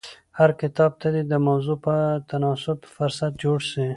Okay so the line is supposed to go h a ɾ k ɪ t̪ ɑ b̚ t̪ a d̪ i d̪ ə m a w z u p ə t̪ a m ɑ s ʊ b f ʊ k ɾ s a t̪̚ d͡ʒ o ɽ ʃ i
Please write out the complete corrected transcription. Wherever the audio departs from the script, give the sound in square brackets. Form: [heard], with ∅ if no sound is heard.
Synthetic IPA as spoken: h a ɾ k ɪ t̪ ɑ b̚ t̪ a d̪ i d̪ ə m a w z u p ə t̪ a [n] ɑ s ʊ b f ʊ [∅] ɾ s a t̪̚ d͡ʒ o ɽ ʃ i